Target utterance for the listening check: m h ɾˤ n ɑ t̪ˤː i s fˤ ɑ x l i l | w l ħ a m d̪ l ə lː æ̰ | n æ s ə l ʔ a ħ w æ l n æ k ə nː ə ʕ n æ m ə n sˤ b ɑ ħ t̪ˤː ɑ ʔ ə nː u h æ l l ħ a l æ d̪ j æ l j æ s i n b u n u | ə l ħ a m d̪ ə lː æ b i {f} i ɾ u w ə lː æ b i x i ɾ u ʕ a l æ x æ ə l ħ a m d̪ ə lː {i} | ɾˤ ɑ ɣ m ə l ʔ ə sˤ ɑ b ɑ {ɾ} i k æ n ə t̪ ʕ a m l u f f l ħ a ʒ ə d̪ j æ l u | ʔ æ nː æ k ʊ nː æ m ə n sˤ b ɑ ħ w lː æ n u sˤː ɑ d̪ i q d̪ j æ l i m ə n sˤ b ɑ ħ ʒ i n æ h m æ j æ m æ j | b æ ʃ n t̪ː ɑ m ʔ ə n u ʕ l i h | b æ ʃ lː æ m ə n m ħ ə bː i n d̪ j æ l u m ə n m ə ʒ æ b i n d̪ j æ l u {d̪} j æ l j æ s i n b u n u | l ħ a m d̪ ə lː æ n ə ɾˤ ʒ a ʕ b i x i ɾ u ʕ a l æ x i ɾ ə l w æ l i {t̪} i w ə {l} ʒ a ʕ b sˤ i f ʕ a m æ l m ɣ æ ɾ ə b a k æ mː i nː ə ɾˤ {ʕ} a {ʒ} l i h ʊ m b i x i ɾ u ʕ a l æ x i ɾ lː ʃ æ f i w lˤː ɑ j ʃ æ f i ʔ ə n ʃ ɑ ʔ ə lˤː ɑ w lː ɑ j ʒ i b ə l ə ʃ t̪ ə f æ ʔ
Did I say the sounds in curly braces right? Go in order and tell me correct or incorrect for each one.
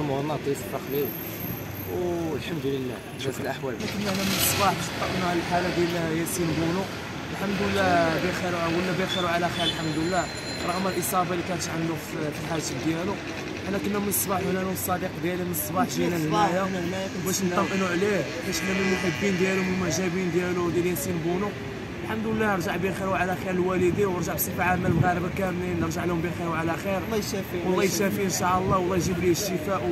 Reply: incorrect: x, incorrect: æ, incorrect: l, correct, incorrect: d̪, incorrect: ɾ, incorrect: ʒ, incorrect: ʕ

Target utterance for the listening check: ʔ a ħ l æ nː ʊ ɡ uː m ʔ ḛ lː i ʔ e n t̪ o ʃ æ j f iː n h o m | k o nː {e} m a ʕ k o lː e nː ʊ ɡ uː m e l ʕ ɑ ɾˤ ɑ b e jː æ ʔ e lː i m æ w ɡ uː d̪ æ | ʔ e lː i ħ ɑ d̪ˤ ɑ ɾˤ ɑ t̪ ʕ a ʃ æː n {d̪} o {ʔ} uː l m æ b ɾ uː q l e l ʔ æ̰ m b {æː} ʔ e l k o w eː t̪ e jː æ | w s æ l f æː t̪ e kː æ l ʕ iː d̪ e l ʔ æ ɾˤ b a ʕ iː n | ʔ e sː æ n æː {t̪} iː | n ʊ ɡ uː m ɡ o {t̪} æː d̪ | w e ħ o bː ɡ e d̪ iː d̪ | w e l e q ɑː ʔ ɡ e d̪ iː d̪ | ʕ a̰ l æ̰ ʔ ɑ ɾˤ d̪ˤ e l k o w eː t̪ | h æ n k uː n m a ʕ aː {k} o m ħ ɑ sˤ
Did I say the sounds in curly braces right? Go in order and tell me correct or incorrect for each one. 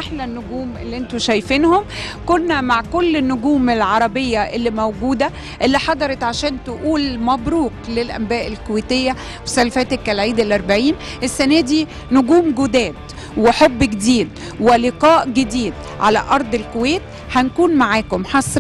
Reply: incorrect: æ, incorrect: t̪, correct, correct, incorrect: d̪, incorrect: d̪, correct

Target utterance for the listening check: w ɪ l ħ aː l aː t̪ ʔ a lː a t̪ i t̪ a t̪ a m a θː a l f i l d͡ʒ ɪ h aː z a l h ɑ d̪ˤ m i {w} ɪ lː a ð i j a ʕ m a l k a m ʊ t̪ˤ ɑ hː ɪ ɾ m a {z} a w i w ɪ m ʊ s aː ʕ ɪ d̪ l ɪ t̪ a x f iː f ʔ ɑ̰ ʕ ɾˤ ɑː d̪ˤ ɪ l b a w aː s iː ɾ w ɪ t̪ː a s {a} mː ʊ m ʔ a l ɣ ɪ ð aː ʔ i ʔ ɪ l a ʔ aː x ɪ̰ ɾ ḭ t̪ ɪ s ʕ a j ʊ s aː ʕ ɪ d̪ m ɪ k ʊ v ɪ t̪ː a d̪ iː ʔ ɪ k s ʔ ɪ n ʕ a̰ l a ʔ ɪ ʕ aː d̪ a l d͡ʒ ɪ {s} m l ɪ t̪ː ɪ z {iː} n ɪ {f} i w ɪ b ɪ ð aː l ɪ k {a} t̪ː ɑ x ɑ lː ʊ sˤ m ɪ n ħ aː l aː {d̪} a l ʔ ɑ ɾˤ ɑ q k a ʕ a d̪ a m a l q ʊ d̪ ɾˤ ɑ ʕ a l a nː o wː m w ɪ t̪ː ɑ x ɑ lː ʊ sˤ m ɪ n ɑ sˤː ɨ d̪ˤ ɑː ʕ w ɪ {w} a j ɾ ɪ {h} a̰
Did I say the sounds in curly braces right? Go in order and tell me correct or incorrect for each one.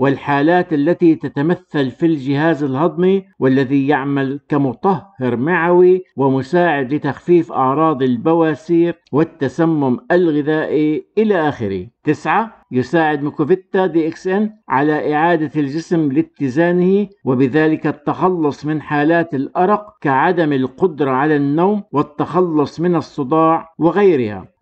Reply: correct, incorrect: ʕ, correct, correct, incorrect: aː, incorrect: h, correct, incorrect: t̪, incorrect: ɣ, correct

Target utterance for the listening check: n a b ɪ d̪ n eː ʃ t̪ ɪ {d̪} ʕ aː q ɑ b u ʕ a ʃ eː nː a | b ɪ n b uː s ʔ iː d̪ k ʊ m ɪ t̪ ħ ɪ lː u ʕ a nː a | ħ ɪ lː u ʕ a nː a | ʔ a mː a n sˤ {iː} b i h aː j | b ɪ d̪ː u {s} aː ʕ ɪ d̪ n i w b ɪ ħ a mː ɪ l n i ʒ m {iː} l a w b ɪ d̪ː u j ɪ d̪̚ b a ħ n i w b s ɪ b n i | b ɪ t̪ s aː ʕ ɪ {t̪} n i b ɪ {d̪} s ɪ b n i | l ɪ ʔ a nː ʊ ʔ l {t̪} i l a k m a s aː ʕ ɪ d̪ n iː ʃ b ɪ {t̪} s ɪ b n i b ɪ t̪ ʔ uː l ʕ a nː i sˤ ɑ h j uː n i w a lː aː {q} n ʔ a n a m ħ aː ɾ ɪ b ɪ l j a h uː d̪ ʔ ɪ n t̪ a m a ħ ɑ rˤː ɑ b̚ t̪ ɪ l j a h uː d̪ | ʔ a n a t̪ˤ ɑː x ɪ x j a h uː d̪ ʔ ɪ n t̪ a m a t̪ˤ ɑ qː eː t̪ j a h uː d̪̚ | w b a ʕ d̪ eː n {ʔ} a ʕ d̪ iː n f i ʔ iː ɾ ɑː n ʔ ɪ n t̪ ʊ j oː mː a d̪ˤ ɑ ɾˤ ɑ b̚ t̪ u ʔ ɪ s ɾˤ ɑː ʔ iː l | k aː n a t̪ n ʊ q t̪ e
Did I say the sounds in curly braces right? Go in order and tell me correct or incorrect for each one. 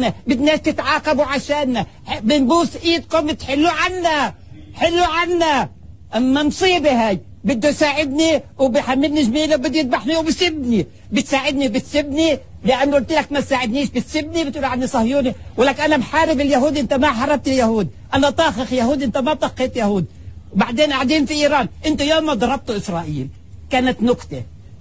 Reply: incorrect: t̪, correct, correct, correct, incorrect: d̪, incorrect: t̪, correct, correct, incorrect: k, correct

